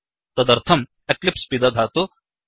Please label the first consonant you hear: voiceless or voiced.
voiceless